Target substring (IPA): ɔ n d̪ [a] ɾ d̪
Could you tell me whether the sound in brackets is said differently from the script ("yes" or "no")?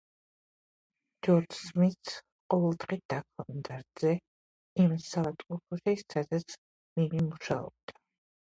no